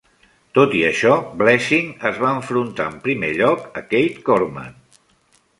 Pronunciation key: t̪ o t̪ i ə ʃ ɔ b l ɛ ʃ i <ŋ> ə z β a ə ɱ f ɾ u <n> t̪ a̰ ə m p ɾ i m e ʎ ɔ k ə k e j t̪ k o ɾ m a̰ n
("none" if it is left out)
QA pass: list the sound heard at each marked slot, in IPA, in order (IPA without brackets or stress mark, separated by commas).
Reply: ŋ, n